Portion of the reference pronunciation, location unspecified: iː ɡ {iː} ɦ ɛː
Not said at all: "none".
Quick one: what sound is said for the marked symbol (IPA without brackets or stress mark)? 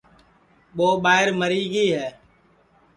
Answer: iː